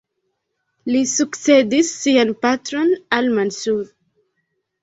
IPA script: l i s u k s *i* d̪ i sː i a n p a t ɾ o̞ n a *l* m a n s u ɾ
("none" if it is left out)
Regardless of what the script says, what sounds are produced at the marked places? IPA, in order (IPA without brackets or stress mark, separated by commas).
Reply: e, l